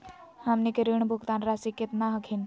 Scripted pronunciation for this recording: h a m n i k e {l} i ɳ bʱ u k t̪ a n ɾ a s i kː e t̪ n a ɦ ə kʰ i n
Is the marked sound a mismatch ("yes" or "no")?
yes